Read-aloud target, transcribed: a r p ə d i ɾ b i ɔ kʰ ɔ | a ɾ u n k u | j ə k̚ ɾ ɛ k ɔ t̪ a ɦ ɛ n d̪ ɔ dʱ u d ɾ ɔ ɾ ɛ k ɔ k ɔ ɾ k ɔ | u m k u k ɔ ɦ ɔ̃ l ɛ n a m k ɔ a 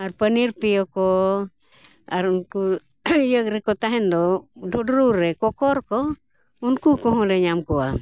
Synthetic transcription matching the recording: a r p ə n i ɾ p i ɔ k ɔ | a ɾ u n k u | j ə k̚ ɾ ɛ k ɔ t̪ a ɦ ɛ n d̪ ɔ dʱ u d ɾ u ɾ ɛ k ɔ k ɔ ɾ k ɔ | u n k u k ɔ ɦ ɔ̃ l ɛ ɲ a m k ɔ a